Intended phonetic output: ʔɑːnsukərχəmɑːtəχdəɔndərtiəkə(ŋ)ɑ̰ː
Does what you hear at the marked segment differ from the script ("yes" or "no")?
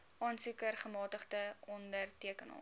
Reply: yes